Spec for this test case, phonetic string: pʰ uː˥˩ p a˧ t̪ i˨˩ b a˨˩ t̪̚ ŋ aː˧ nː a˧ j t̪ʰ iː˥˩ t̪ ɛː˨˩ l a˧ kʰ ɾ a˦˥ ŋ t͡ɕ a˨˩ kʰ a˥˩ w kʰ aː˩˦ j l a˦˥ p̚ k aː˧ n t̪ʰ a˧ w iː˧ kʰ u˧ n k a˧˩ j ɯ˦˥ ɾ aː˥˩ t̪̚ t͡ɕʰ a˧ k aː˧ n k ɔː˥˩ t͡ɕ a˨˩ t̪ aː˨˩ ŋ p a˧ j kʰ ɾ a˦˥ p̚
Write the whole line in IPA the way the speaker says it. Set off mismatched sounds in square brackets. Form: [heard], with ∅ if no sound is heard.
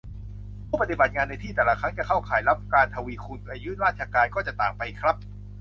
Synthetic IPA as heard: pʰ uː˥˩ p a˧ t̪ i˨˩ b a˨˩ t̪̚ ŋ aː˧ nː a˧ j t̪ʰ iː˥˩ t̪ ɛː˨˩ l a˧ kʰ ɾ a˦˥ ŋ t͡ɕ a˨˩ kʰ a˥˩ w kʰ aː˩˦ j l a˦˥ p̚ k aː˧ n t̪ʰ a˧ w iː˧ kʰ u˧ n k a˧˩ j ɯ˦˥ ɾ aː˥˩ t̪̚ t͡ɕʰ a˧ k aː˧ n k ɔː˥˩ t͡ɕ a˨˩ t̪ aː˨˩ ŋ p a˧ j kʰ ɾ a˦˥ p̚